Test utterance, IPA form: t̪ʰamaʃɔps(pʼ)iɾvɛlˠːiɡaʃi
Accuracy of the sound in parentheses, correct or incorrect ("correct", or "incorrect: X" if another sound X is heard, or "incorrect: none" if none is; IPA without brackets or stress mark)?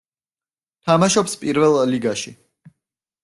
correct